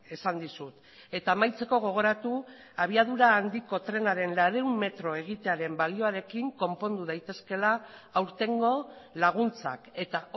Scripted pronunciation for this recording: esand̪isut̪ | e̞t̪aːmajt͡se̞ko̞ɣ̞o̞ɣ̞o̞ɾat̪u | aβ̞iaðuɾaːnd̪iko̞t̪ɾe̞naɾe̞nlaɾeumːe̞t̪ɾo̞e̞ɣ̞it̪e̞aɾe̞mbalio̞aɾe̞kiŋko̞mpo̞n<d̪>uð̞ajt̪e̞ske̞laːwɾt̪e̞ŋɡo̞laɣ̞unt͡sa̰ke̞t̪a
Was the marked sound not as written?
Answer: no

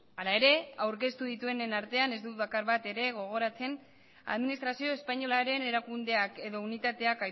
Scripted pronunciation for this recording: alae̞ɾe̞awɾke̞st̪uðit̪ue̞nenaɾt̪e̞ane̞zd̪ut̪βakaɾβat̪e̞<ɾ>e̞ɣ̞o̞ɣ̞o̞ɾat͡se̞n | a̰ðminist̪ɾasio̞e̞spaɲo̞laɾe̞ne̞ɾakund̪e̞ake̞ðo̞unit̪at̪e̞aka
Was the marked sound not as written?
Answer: no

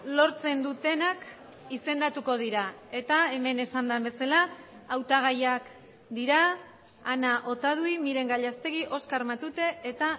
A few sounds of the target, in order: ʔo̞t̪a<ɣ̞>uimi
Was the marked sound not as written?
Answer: yes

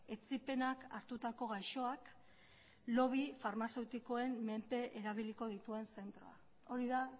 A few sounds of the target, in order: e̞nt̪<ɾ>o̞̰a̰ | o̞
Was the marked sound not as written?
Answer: no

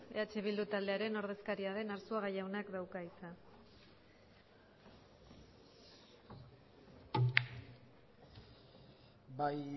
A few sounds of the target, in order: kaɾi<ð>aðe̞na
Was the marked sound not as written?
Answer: yes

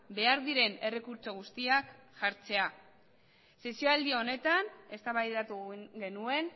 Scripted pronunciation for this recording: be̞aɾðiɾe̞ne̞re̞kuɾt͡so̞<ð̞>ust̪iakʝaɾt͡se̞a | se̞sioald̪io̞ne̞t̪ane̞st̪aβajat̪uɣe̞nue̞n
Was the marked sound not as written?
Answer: yes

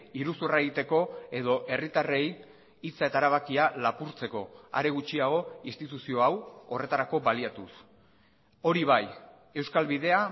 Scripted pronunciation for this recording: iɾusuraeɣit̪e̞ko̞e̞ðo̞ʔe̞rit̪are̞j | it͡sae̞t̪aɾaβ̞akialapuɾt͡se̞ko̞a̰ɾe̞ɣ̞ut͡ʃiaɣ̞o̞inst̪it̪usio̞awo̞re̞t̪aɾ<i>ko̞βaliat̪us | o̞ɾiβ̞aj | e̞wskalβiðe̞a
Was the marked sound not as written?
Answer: yes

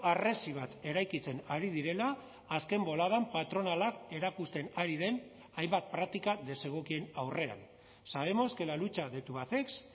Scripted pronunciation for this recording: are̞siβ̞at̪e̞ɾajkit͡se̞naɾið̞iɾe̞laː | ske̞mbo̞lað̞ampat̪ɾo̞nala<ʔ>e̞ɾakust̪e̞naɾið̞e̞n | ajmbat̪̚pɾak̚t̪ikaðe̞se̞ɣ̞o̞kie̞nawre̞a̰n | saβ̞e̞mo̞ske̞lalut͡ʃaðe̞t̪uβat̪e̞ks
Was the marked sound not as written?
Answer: yes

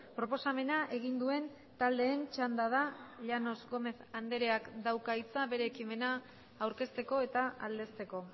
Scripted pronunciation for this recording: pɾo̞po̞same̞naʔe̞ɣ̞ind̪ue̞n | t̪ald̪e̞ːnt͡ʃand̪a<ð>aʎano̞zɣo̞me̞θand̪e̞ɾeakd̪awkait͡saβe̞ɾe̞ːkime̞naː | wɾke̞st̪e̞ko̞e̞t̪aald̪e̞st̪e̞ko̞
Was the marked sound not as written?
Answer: no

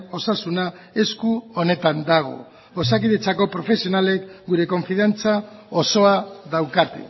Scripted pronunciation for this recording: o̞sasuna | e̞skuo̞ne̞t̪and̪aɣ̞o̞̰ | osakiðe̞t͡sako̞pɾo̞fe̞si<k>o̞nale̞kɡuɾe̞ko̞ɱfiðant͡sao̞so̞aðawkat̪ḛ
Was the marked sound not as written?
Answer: yes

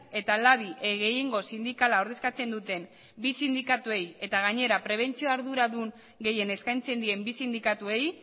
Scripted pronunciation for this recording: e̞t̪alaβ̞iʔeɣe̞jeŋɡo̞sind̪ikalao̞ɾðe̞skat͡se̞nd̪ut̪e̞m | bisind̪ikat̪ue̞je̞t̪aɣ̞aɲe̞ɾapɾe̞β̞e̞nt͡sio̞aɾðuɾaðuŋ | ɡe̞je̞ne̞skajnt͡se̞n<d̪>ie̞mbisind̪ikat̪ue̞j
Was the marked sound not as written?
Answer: no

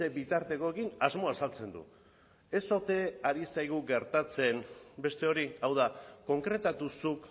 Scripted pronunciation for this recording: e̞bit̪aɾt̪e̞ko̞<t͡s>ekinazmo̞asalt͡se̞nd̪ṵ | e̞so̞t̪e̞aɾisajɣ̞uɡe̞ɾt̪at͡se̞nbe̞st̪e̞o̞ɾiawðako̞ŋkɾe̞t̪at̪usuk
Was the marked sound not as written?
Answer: yes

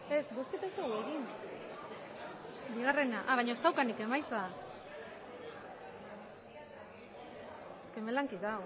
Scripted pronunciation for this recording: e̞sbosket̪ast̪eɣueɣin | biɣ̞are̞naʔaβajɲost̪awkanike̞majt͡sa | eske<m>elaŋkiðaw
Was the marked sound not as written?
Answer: no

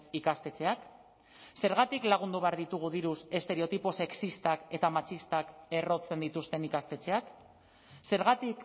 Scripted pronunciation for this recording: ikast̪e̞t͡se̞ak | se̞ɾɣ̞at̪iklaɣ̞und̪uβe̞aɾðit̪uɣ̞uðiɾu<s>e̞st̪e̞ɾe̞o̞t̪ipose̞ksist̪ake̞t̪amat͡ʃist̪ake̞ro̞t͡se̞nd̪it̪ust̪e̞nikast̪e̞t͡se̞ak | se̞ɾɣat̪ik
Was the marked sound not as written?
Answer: no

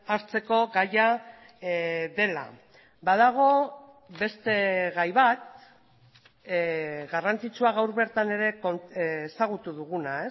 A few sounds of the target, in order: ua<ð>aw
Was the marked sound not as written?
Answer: yes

